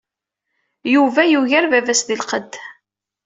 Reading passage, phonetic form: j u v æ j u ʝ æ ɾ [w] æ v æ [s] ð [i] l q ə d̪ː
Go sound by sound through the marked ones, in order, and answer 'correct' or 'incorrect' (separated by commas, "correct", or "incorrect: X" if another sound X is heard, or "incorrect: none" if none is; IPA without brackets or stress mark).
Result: incorrect: v, correct, correct